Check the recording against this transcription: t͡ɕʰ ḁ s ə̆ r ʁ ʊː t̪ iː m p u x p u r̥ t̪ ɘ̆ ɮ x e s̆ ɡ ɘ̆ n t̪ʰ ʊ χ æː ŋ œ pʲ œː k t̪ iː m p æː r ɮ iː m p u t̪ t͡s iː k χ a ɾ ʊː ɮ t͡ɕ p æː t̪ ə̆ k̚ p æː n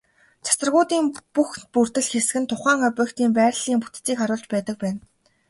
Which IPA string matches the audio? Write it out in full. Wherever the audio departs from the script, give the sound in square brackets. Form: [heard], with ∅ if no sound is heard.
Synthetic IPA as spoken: t͡ɕʰ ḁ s ə̆ r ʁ ʊː t̪ iː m p u x p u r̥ t̪ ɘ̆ ɮ x e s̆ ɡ ɘ̆ n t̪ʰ ʊ χ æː ŋ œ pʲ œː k t̪ iː m p æː r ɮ iː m p u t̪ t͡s iː k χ a ɾ ʊː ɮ t͡ɕ p æː t̪ ə̆ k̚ p æː n